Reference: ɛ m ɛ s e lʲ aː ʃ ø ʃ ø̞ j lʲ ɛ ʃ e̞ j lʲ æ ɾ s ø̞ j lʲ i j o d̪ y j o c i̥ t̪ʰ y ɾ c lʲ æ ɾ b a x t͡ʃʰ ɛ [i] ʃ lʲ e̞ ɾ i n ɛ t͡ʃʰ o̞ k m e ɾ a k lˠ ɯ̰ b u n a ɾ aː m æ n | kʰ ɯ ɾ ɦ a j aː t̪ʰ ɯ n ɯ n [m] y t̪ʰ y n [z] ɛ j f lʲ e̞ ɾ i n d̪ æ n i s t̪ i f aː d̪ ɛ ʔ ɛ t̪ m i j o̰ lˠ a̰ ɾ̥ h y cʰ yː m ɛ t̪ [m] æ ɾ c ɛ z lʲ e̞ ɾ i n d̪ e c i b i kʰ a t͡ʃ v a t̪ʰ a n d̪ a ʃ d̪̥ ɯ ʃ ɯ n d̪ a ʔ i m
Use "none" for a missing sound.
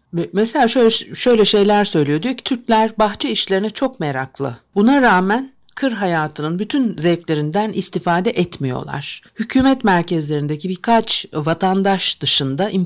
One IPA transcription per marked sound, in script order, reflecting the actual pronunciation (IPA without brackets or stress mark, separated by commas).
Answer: i, b, z, m